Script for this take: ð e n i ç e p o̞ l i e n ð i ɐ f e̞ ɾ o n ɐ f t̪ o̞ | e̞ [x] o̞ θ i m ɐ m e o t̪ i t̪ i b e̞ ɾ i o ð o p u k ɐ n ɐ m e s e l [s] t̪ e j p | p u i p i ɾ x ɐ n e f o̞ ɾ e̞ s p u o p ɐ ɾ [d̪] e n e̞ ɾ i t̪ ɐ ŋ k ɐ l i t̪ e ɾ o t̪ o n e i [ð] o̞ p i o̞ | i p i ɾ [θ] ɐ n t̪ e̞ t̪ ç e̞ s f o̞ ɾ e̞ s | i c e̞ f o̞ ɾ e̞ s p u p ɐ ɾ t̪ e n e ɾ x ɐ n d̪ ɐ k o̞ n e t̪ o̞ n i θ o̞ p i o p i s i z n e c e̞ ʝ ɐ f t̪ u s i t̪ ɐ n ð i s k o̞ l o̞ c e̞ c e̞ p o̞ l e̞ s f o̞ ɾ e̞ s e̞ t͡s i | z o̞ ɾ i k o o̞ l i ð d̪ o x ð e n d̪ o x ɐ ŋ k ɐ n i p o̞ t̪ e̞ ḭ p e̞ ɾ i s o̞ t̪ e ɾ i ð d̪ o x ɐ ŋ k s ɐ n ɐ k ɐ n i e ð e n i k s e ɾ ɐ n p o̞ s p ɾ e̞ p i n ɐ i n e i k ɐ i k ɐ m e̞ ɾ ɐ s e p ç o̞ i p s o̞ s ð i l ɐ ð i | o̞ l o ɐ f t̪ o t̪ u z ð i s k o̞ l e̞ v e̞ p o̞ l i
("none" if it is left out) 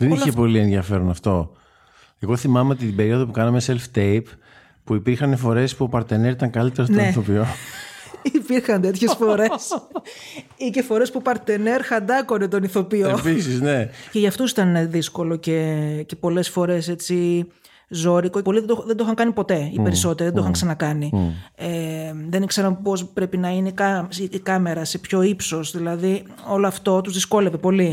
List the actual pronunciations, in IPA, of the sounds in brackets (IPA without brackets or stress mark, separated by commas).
ɣ, f, t̪, θ, x